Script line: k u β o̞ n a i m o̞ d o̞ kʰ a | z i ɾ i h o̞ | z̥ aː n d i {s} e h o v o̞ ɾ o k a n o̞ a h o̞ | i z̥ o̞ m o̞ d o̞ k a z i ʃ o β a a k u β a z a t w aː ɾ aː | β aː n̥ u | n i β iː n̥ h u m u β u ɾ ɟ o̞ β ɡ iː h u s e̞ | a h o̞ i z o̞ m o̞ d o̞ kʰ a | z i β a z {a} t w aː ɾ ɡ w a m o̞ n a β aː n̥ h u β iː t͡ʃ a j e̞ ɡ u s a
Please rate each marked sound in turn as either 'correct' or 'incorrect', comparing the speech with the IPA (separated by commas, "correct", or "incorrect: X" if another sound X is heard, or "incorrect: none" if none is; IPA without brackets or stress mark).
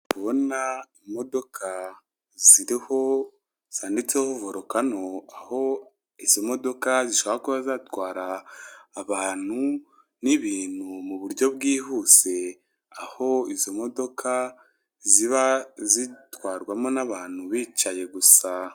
incorrect: t͡s, incorrect: i